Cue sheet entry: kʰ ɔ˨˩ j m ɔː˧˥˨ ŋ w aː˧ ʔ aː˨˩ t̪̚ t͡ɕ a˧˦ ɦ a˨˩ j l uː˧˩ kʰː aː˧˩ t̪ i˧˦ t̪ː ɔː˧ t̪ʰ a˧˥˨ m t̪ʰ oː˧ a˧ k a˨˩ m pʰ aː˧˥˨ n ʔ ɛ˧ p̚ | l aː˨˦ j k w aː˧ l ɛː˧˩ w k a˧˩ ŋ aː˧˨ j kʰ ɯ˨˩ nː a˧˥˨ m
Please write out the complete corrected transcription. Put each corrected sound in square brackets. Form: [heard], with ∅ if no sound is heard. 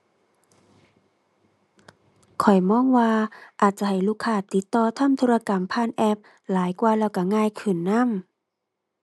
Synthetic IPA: kʰ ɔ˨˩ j m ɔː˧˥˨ ŋ w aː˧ ʔ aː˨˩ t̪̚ t͡ɕ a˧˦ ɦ a˨˩ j l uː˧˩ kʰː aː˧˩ t̪ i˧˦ t̪ː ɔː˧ t̪ʰ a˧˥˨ m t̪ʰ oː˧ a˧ k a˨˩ m pʰ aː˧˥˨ n ʔ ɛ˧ p̚ | l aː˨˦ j k w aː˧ l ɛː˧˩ w k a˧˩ ŋ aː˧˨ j kʰ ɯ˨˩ nː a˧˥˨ m